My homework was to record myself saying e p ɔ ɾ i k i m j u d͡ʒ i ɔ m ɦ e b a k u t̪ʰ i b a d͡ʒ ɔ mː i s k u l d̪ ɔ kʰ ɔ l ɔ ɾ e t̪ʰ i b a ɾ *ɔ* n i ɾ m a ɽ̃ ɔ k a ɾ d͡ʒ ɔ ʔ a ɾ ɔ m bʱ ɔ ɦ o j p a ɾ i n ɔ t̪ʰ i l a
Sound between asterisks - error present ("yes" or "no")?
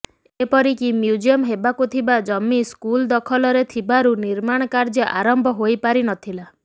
yes